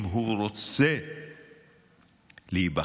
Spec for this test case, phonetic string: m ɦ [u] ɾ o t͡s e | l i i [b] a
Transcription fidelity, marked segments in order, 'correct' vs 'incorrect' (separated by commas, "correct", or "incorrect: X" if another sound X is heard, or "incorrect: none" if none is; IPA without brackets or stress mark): correct, correct